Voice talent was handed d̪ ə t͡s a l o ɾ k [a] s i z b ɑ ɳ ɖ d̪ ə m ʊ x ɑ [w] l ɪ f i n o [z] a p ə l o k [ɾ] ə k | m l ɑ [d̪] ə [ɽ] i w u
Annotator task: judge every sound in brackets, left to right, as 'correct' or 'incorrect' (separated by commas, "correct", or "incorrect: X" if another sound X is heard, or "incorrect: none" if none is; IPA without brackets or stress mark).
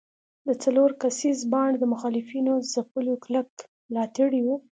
correct, incorrect: none, correct, incorrect: l, incorrect: t̪, correct